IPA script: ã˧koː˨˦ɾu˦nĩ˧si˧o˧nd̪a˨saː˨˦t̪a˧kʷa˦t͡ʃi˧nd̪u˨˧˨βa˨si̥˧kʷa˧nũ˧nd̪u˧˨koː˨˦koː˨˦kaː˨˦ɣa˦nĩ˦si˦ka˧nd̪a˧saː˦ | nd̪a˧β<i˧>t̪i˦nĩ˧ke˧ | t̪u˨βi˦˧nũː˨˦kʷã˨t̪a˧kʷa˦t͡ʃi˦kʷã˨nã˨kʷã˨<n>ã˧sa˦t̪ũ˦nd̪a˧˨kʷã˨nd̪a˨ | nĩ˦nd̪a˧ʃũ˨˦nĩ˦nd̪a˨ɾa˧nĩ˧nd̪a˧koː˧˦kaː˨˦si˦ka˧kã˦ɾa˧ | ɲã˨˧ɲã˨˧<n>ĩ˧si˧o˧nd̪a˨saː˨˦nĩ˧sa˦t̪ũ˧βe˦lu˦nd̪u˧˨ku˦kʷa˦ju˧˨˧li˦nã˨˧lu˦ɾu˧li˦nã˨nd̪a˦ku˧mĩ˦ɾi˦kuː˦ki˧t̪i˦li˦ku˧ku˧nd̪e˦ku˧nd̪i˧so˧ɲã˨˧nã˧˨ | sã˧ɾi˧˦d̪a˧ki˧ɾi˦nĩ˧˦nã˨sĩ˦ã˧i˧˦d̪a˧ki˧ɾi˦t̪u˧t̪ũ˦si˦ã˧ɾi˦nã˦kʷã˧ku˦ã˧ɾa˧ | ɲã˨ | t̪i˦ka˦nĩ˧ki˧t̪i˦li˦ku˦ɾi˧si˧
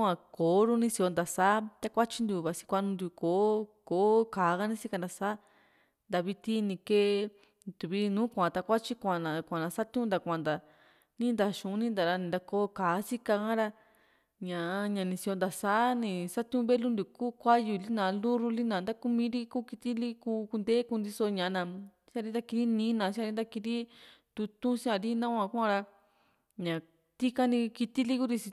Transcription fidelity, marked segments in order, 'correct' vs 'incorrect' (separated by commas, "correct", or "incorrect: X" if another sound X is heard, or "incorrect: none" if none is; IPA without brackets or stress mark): correct, correct, correct